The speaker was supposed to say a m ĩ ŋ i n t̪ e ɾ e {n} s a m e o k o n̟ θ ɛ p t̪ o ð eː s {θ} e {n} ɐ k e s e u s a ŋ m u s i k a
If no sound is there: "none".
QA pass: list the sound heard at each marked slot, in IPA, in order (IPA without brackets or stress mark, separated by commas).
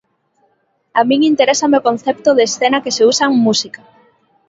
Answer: none, θ, n